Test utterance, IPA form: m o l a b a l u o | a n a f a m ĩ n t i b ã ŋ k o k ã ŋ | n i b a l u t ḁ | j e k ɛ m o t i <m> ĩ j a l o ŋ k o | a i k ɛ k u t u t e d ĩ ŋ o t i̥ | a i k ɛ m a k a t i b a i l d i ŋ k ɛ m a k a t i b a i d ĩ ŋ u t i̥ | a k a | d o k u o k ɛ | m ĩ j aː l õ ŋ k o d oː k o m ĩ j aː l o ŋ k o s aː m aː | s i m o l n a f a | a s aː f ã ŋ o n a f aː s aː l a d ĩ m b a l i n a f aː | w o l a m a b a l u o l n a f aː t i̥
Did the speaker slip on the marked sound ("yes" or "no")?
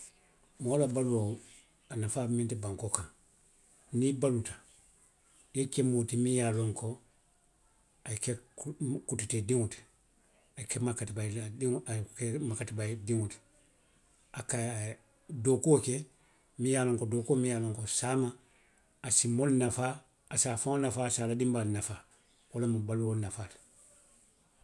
no